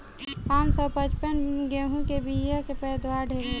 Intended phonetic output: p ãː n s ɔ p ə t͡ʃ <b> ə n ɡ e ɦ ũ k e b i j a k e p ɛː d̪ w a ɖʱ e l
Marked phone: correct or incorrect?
incorrect